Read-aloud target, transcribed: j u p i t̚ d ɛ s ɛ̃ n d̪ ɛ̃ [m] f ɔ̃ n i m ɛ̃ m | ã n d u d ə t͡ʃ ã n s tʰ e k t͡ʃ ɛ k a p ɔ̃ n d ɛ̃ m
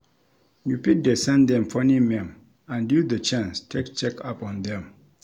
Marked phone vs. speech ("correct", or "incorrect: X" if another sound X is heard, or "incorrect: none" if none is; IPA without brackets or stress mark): correct